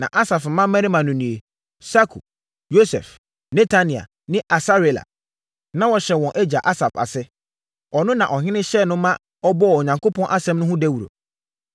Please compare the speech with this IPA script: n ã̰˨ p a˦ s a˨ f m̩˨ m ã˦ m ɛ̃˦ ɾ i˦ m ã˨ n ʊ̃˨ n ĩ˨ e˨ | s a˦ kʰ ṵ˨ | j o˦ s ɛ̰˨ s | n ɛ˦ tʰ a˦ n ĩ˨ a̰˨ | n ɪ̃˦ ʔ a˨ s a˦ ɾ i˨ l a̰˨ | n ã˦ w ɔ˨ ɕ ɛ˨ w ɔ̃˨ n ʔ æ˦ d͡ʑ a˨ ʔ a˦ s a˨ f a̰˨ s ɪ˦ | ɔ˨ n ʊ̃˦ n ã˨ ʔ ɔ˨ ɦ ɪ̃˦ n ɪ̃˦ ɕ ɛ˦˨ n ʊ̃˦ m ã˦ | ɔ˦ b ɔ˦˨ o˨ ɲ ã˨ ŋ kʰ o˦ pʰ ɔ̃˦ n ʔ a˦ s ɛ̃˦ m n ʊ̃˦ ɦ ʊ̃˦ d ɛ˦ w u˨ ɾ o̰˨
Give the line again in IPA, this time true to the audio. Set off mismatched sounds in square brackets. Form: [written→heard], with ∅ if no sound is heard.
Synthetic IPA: n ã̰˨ [p→ʔ] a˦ s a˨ f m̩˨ m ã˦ m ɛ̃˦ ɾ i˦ m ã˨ n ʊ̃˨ n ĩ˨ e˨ | s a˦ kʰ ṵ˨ | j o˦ s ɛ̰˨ [s→f] | n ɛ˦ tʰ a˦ n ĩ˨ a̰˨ | n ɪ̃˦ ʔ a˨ s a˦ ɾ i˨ l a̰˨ | n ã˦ w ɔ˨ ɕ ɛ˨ w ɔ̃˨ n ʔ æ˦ d͡ʑ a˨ ʔ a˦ s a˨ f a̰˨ s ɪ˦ | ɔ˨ n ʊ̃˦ n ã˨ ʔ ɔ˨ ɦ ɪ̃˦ n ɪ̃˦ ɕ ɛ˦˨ n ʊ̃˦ m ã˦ | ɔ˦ b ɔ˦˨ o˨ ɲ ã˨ ŋ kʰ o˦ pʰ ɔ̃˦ n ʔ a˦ s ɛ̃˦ m n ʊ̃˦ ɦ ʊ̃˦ d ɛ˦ w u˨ ɾ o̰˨